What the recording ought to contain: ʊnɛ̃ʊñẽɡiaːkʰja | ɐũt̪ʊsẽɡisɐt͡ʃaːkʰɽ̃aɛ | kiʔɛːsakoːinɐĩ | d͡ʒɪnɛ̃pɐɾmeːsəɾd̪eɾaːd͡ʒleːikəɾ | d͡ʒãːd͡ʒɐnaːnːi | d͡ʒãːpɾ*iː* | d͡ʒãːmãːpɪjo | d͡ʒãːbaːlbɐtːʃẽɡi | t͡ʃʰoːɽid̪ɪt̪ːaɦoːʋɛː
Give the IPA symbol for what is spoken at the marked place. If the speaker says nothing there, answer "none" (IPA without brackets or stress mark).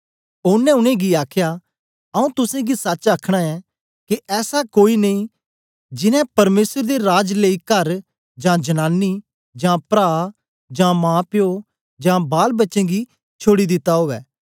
aː